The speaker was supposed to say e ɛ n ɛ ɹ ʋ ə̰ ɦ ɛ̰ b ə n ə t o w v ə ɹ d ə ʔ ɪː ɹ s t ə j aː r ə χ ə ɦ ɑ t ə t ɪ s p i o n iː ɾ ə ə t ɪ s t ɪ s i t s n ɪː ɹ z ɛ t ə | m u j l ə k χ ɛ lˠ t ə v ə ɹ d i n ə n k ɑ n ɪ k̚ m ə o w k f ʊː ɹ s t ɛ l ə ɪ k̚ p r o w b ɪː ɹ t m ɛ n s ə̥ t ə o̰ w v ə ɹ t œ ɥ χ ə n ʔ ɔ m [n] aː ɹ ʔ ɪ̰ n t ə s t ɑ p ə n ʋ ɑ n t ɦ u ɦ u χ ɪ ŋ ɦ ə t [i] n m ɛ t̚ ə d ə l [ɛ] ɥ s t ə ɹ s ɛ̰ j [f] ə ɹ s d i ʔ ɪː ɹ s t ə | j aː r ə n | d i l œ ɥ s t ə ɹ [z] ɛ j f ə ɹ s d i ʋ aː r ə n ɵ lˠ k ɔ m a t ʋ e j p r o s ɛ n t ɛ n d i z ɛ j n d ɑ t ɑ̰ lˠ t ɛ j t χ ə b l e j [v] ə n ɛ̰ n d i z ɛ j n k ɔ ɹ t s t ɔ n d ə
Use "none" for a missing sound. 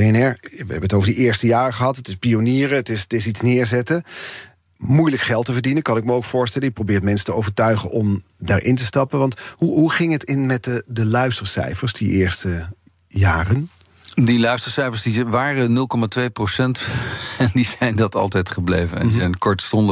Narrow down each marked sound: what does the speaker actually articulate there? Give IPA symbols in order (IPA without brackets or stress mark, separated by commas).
d, ɪ, œ, f, s, v